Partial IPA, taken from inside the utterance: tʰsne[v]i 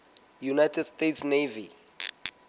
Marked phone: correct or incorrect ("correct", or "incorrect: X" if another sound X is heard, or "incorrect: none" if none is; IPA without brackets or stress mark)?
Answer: correct